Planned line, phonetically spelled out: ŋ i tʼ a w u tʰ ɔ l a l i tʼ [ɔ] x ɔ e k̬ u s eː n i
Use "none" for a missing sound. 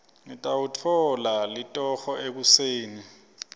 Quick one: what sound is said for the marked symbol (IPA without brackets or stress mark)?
ɔ